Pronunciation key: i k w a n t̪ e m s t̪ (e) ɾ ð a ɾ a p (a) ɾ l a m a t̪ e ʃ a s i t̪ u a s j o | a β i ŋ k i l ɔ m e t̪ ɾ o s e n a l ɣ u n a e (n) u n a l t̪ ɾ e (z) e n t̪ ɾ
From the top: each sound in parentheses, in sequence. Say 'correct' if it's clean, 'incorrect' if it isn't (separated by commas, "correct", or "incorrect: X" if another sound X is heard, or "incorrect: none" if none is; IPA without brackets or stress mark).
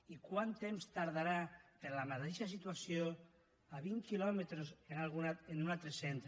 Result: incorrect: a, incorrect: e, correct, incorrect: s